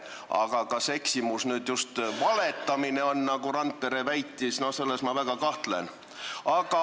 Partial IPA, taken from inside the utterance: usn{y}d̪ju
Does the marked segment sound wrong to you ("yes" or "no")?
yes